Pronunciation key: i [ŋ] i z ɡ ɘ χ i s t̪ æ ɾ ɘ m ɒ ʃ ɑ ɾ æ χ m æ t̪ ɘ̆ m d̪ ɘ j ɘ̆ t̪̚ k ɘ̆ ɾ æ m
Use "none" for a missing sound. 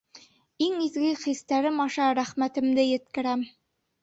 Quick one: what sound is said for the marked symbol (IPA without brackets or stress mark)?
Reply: ŋ